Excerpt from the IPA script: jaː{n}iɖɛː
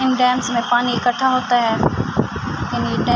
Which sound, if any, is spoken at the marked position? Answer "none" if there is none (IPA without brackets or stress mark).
n